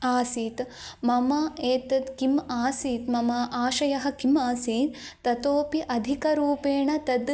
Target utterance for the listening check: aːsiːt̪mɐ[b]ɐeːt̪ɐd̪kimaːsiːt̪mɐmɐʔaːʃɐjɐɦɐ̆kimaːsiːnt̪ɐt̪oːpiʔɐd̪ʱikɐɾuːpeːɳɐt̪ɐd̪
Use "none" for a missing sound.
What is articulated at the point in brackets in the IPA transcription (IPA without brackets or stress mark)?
m